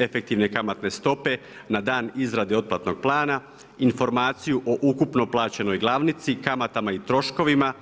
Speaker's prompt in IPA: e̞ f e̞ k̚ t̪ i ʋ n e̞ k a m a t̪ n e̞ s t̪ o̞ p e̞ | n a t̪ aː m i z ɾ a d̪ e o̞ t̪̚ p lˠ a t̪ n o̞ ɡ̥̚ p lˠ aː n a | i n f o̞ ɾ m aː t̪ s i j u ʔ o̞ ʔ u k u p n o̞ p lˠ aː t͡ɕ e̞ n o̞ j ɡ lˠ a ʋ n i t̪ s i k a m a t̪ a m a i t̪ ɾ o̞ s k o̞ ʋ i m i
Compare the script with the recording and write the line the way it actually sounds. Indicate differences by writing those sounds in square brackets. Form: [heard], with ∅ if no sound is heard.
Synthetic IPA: e̞ f e̞ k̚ t̪ i ʋ n e̞ k a m a t̪ n e̞ s t̪ o̞ p e̞ | n a [d̪] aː [n] i z ɾ a d̪ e o̞ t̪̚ p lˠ a t̪ n o̞ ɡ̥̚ p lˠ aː n a | i n f o̞ ɾ m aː t̪ s i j u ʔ o̞ ʔ u k u p n o̞ p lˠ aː t͡ɕ e̞ n o̞ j ɡ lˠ a ʋ n i t̪ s i k a m a t̪ a m a i t̪ ɾ o̞ [ʃ] k o̞ ʋ i m [a]